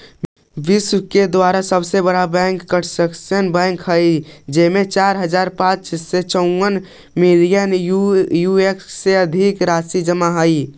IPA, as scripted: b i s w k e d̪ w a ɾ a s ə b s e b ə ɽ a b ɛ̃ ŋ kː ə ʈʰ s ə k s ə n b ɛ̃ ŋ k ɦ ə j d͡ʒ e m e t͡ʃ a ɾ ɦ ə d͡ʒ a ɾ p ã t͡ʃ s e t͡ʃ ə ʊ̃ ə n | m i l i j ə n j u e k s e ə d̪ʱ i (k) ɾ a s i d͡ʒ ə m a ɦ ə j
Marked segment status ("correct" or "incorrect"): correct